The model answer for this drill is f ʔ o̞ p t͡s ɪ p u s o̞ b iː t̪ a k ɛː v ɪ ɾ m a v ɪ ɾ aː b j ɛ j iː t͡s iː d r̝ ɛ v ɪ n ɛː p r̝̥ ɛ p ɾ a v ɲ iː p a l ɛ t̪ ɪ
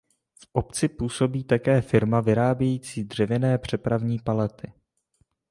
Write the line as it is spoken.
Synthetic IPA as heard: f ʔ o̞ p t͡s ɪ p uː s o̞ b iː t̪ a k ɛː f ɪ ɾ m a v ɪ ɾ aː b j ɛ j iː t͡s iː d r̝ ɛ v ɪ n ɛː p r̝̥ ɛ p ɾ a v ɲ iː p a l ɛ t̪ ɪ